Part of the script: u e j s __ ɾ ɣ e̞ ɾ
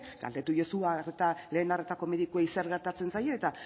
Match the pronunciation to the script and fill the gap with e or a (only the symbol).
e